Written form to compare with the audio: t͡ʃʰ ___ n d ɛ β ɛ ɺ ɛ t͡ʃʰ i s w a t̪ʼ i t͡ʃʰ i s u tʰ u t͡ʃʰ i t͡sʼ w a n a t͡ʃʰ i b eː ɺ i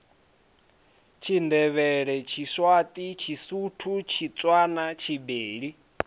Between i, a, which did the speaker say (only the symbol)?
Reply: i